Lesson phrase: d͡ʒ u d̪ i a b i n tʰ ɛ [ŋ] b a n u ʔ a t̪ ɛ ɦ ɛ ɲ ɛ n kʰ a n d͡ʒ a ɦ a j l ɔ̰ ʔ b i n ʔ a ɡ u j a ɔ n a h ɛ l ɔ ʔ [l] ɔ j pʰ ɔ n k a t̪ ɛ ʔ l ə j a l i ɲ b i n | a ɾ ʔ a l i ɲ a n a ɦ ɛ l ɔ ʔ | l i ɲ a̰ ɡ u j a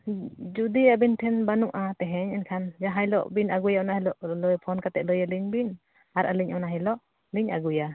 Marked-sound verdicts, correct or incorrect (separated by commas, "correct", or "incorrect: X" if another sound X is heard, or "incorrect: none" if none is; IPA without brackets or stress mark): incorrect: n, correct